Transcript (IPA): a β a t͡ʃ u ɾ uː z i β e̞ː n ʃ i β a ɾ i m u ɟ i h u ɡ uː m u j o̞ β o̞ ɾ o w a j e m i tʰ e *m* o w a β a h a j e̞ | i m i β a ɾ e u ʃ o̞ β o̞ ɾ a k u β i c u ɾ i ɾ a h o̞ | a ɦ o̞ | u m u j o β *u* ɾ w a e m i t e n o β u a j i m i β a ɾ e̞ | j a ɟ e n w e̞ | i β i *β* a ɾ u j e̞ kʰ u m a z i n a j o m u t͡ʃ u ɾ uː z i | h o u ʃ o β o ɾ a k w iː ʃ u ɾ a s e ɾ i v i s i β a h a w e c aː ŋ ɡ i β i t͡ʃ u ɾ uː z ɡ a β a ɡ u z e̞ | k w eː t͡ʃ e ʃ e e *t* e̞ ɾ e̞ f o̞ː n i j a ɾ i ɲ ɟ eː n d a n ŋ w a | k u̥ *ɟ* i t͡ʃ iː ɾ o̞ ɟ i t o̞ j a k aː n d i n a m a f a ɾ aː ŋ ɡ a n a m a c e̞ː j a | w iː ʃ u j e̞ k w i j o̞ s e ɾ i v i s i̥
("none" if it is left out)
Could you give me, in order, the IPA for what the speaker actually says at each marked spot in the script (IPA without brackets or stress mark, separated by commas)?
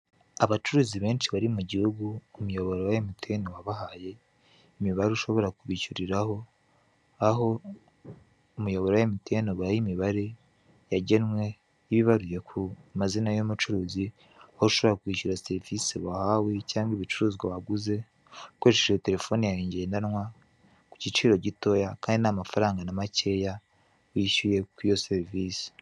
n, o, β, t, c